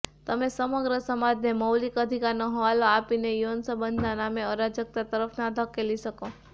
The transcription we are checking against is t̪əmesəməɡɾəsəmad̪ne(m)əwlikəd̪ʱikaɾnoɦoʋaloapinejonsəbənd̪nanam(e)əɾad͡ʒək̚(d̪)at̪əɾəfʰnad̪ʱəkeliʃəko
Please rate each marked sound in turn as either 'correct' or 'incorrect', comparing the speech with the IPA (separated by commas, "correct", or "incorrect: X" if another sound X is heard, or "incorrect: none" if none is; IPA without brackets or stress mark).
correct, correct, incorrect: t̪